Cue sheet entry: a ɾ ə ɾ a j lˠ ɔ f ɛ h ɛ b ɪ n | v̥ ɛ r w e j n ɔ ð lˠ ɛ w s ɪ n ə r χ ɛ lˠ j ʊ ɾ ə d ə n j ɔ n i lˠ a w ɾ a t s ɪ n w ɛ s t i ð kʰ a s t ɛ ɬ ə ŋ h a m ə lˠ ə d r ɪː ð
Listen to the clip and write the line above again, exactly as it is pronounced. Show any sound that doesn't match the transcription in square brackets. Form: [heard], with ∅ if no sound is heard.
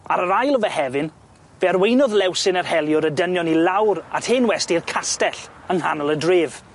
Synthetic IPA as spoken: a ɾ ə ɾ a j lˠ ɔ [v] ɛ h ɛ [v] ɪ n | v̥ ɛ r w e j n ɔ ð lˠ ɛ w s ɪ n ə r [h] ɛ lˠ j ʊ ɾ ə d ə n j ɔ n i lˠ a w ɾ a t [h] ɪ n w ɛ s t i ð kʰ a s t ɛ ɬ ə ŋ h a [n] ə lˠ ə d r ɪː [v]